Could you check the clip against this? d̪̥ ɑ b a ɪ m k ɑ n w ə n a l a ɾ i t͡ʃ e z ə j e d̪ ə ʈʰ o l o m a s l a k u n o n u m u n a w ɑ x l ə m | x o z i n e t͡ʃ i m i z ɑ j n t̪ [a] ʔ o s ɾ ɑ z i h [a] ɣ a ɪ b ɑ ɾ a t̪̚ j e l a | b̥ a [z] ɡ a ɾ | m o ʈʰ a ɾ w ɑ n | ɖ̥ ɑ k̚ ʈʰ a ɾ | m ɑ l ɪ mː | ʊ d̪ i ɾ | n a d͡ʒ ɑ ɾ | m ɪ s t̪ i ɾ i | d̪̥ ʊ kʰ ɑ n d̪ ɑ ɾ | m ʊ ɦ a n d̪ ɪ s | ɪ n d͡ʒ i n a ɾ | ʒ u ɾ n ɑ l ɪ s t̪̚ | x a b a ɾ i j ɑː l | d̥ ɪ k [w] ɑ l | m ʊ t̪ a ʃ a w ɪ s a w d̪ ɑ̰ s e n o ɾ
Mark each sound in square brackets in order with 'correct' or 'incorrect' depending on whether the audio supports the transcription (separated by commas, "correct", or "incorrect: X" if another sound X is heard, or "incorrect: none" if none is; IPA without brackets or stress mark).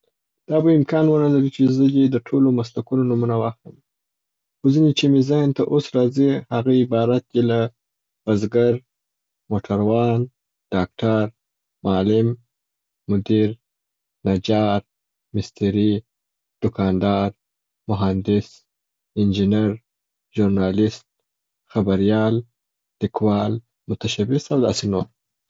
correct, correct, correct, correct